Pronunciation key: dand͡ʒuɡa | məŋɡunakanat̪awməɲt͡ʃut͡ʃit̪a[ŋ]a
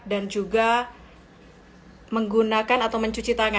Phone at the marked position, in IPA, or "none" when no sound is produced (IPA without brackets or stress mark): ŋ